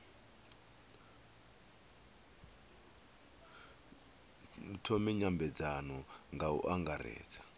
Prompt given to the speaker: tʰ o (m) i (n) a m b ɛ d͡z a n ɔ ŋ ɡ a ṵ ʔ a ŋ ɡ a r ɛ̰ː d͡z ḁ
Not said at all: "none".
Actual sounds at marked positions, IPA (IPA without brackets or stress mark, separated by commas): m, ɲ